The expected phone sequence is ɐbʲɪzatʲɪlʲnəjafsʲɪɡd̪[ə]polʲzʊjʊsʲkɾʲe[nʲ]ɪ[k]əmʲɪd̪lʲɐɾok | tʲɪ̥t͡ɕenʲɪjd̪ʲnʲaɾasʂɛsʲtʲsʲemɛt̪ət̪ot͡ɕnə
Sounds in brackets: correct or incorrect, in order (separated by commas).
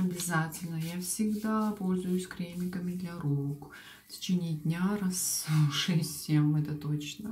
incorrect, incorrect, correct